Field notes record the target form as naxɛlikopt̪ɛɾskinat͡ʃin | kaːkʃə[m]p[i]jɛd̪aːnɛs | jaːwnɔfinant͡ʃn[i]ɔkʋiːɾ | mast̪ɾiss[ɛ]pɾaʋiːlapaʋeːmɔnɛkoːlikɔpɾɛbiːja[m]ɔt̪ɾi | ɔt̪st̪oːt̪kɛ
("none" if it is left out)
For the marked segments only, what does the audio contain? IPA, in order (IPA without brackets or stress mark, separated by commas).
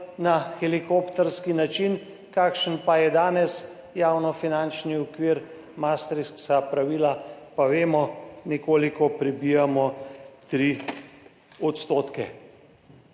n, a, i, a, m